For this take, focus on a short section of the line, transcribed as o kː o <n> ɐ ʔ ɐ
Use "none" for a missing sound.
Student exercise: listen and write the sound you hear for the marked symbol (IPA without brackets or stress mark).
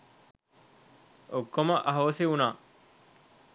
m